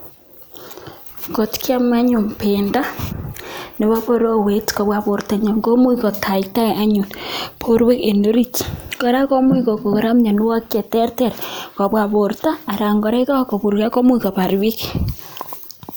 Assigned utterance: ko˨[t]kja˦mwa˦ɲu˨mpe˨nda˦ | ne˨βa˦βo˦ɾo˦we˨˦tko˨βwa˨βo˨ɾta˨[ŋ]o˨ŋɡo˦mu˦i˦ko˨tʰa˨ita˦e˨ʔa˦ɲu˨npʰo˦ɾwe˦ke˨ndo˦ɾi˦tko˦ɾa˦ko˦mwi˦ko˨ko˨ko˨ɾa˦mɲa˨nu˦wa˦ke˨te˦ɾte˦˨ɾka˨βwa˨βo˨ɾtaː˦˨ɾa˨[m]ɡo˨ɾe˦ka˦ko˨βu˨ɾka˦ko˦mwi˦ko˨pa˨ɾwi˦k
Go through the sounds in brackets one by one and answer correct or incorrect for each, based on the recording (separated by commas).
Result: correct, incorrect, incorrect